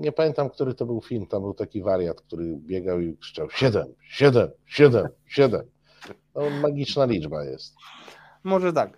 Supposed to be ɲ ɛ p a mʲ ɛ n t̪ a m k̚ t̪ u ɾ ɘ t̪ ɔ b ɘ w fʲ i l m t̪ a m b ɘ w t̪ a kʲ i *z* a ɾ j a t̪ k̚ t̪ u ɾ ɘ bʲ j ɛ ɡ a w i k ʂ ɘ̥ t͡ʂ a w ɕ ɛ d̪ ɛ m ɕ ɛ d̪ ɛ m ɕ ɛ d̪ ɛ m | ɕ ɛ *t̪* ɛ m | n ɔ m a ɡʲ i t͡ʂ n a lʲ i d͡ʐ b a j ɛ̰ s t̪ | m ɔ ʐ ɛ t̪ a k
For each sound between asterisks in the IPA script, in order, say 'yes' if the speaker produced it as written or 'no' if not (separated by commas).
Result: no, no